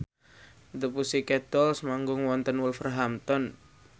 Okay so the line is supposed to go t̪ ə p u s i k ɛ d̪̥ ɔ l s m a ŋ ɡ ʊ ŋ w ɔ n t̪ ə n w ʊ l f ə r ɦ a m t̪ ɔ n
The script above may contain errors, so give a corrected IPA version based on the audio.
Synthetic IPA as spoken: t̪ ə p u s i k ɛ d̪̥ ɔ l s m a ŋ ɡ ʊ ŋ w ɔ n t̪ ə n w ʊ l f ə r ɦ a m t̪ ɔ n